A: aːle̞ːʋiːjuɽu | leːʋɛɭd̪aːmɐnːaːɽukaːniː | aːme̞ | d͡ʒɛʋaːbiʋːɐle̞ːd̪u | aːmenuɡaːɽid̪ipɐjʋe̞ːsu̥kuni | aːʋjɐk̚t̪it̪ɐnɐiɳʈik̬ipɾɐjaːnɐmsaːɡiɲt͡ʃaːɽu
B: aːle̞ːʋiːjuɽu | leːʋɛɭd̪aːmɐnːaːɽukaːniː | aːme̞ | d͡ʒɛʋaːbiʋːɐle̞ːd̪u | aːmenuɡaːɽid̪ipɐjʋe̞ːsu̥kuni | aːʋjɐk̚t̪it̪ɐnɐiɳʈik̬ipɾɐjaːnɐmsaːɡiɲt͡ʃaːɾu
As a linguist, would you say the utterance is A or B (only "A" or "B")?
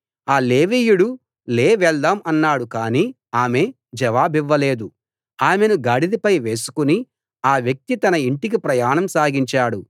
A